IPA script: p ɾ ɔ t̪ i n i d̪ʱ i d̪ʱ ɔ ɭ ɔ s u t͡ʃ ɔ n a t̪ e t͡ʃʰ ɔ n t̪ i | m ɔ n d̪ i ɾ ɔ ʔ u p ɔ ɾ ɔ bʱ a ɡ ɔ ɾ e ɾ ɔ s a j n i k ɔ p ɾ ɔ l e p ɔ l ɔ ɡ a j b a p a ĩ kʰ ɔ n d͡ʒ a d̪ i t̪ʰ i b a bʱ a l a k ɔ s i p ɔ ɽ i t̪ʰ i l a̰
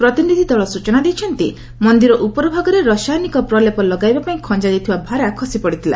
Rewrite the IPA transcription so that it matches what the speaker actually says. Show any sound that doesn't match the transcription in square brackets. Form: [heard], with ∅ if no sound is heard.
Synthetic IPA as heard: p ɾ ɔ t̪ i n i d̪ʱ i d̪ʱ ɔ ɭ ɔ s u t͡ʃ ɔ n a [d̪] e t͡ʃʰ ɔ n t̪ i | m ɔ n d̪ i ɾ ɔ ʔ u p ɔ ɾ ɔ bʱ a ɡ ɔ ɾ e ɾ ɔ s a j n i k ɔ p ɾ ɔ l e p ɔ l ɔ ɡ a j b a p a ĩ kʰ ɔ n d͡ʒ a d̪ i t̪ʰ i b a bʱ a [ɾ] a [kʰ] ɔ s i p ɔ ɽ i t̪ʰ i l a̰